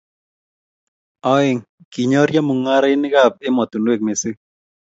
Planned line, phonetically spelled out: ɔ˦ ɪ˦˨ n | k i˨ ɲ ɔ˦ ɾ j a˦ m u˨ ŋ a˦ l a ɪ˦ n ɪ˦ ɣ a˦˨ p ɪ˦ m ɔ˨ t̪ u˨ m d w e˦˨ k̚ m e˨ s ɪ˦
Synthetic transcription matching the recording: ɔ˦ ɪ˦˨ ŋ | k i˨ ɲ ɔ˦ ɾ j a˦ m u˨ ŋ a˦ ɾ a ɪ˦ n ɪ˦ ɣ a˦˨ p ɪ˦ m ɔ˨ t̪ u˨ n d w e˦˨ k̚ m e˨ s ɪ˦